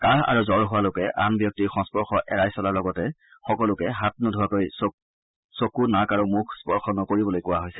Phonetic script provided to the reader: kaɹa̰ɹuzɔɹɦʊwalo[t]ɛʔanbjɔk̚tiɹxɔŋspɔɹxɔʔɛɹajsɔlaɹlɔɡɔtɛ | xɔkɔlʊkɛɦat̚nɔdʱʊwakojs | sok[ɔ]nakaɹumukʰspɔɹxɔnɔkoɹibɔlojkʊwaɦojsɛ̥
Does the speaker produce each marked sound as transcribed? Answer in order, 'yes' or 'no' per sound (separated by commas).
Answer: no, no